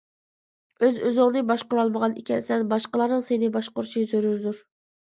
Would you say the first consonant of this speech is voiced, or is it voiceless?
voiced